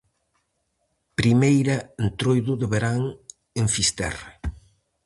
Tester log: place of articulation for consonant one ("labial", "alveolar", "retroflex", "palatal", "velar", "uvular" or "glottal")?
labial